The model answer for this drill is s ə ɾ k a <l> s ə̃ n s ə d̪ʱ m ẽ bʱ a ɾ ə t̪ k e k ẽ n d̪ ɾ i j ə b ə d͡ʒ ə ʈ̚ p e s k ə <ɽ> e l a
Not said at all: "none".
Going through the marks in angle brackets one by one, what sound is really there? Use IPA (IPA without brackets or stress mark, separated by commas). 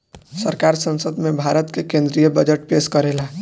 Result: ɾ, ɾ